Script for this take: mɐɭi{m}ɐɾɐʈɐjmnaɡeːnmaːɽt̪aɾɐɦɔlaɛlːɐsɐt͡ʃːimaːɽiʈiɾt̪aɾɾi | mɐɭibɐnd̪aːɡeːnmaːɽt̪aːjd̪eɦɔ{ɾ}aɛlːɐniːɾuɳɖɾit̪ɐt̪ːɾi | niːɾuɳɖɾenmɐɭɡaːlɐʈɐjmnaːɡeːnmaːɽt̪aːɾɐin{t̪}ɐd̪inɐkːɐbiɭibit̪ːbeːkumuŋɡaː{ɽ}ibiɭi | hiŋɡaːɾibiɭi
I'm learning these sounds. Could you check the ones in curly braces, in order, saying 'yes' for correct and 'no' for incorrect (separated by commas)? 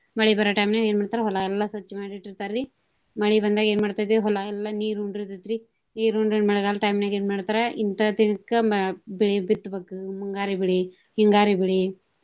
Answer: no, no, yes, no